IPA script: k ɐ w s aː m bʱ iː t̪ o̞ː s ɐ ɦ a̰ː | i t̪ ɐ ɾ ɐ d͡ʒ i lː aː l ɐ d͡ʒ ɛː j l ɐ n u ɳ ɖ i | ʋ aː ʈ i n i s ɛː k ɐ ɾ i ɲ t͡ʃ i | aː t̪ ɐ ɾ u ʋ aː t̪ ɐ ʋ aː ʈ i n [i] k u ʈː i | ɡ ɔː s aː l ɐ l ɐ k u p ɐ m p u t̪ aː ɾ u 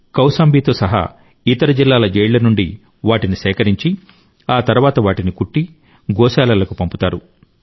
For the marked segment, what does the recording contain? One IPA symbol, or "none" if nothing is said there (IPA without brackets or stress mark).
i